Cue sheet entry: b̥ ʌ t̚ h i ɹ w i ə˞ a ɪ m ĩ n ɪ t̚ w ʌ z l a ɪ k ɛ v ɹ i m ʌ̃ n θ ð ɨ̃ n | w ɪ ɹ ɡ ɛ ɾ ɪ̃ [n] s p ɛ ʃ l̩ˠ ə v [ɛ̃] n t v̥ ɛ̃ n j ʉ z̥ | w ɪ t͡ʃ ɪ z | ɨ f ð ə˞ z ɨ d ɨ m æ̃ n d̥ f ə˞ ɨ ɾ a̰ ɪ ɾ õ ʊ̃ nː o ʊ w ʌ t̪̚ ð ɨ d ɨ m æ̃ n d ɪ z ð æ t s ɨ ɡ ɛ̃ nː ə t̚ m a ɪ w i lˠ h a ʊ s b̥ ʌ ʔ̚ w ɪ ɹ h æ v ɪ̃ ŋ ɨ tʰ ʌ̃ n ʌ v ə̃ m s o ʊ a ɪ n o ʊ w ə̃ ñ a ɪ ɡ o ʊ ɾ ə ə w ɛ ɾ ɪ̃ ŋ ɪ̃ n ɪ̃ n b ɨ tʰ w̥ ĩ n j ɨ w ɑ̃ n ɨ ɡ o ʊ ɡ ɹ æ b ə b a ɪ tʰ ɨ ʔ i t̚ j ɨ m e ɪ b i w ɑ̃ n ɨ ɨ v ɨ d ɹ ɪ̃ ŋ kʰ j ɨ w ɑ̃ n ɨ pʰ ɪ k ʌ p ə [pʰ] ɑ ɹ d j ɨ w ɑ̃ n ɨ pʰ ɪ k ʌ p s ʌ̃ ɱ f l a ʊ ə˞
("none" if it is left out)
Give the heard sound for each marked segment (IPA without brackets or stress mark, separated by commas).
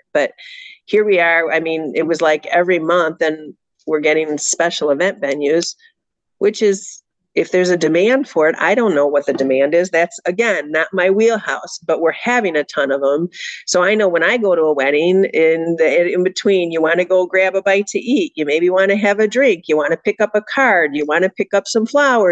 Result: ŋ, ɛ̃, kʰ